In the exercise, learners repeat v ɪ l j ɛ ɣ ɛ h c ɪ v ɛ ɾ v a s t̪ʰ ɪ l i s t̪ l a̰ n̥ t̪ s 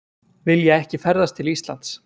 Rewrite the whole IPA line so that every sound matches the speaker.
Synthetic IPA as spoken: v ɪ l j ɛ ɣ ɛ h c ɪ f ɛ ɾ ð a s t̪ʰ ɪ l i s t̪ l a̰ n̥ t̪ s